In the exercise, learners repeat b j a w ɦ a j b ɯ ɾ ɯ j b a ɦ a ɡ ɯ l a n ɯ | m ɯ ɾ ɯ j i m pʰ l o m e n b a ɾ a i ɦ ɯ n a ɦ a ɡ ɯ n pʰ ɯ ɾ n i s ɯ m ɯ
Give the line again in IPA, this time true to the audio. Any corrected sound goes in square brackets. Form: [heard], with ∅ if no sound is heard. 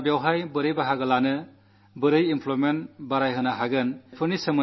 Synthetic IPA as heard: b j a w ɦ a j b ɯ ɾ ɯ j b a ɦ a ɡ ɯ l a n ɯ | [b] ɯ ɾ ɯ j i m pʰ l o m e n b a ɾ a [j] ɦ ɯ n a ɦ a ɡ ɯ n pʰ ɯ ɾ n i s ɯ m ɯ